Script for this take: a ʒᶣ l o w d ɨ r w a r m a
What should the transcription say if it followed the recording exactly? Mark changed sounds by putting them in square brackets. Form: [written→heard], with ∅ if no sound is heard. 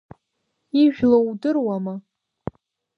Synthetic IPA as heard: [a→i] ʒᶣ l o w d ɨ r w a [r→∅] m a